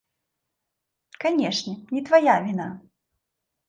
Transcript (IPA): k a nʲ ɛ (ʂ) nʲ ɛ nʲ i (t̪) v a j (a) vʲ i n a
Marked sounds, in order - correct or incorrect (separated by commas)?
correct, correct, correct